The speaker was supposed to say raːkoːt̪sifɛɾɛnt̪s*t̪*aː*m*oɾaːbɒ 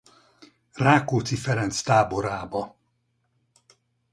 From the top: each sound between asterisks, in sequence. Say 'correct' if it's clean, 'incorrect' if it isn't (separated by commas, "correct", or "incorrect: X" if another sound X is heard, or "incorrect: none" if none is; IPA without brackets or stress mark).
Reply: correct, incorrect: b